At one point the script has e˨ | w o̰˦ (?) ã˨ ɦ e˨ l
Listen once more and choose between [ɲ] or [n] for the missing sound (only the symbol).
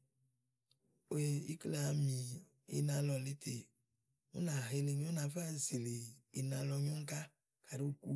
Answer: n